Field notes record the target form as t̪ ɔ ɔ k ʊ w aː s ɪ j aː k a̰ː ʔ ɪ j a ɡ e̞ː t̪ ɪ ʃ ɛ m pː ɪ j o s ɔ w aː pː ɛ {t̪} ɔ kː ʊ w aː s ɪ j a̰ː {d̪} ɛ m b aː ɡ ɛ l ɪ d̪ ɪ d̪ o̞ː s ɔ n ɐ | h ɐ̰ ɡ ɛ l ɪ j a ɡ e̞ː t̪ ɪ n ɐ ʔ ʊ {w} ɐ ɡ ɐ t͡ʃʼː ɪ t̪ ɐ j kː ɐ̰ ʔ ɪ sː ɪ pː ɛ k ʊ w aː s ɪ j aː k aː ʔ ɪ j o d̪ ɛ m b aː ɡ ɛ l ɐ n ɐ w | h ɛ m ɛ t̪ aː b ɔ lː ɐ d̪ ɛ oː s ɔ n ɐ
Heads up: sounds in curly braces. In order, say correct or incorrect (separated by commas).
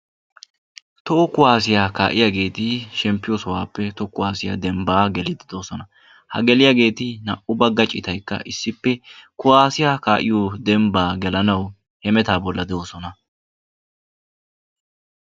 correct, correct, incorrect